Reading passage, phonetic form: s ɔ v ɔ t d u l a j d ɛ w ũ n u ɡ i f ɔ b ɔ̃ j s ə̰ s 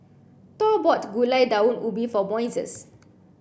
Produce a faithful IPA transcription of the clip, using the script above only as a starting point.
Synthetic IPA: t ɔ b ɔ t ɡ u l a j d a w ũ n u b i f ɔ b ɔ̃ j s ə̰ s